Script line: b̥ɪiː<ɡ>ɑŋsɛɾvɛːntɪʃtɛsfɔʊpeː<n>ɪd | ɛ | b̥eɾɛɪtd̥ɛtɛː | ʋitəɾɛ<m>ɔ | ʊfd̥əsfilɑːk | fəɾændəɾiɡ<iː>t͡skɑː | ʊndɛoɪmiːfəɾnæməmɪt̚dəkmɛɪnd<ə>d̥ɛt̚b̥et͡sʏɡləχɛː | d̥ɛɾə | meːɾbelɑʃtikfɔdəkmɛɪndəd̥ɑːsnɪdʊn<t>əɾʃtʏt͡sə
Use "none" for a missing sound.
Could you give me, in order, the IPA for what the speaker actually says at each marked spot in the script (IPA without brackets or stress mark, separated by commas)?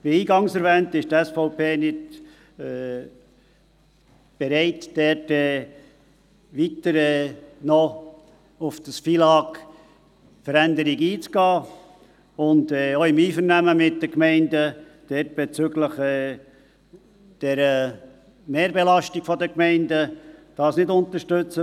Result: ɡ, n, n, iː, ə, t